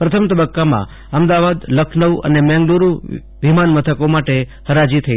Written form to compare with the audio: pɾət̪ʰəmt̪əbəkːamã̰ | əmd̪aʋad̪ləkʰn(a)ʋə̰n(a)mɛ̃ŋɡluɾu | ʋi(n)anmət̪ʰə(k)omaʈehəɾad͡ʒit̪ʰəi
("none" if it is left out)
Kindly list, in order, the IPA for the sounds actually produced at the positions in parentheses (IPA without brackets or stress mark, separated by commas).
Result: ə, e, m, k